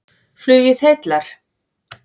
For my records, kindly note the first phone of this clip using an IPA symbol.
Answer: f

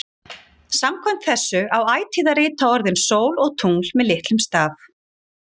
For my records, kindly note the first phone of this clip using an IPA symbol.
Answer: s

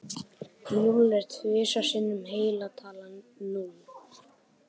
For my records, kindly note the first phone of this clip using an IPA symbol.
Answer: n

